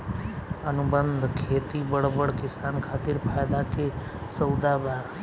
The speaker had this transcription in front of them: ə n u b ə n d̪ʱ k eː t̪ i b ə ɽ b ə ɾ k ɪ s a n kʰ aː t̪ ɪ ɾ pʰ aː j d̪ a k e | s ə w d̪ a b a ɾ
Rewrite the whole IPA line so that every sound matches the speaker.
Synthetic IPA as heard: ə n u b ə n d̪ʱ kʰ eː t̪ i b ə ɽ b ə ɽ k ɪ s a n kʰ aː t̪ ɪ ɾ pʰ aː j d̪ a k e | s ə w d̪ a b a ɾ